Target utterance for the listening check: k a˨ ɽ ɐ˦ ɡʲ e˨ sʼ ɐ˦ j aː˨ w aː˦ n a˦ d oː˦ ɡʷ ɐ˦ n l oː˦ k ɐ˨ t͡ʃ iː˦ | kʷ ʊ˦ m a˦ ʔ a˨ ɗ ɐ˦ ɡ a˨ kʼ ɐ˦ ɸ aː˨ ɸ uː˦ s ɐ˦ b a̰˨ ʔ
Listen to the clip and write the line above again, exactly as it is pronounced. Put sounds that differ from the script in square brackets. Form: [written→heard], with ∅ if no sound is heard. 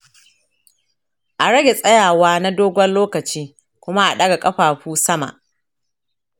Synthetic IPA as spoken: [k→ʔ] a˨ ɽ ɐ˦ ɡʲ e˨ sʼ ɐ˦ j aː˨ w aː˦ n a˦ d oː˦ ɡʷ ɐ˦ n l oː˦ k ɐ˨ t͡ʃ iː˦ | kʷ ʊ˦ m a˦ ʔ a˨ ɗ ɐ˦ ɡ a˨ kʼ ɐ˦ ɸ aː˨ ɸ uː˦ s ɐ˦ [b→m] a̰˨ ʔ